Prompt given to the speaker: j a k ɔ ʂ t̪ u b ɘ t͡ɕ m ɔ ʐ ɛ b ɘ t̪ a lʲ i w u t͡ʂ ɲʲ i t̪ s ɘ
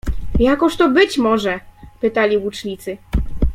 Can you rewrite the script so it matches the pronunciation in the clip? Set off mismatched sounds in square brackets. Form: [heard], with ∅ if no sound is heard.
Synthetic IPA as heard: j a k ɔ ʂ t̪ [ɔ] b ɘ t͡ɕ m ɔ ʐ ɛ [p] ɘ t̪ a lʲ i w u t͡ʂ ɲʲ i t̪ s ɘ